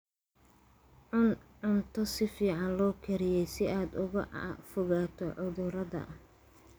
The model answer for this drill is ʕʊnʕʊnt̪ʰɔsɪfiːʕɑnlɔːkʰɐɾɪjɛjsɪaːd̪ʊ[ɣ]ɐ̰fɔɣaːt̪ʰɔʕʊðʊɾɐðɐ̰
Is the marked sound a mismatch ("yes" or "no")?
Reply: no